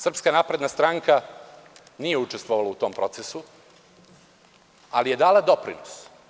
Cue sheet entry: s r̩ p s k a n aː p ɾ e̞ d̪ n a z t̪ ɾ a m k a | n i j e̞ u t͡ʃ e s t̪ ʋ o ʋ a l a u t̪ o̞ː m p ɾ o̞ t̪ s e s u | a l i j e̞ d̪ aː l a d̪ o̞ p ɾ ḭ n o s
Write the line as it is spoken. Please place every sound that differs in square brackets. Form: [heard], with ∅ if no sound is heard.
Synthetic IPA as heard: s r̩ p s k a n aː p ɾ e̞ d̪ n a [s] t̪ ɾ a [ŋ] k a | n i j e̞ u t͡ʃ e s t̪ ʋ o ʋ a l a u t̪ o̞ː m p ɾ o̞ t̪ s e s u | a l i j e̞ d̪ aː l a d̪ o̞ p ɾ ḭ n o s